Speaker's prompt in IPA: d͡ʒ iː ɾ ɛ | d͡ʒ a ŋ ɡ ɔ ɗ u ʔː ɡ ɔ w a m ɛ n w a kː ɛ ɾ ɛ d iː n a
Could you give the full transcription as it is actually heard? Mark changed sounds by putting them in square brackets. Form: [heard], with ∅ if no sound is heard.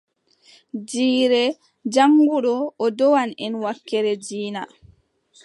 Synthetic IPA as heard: d͡ʒ iː ɾ ɛ | d͡ʒ a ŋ ɡ [u] ɗ [ɔ] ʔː [d] ɔ w a [n] ɛ n w a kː ɛ ɾ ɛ [d͡ʒ] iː n a